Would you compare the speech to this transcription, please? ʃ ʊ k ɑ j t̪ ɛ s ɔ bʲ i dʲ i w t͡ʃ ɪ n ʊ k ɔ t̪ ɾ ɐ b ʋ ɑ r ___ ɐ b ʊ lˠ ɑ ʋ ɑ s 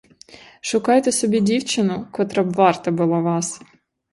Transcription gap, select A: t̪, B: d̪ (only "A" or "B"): A